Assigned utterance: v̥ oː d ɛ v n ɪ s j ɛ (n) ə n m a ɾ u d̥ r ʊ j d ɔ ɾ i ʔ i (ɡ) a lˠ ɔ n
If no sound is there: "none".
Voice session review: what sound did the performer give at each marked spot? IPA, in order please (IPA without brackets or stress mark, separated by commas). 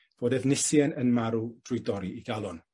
n, ɡ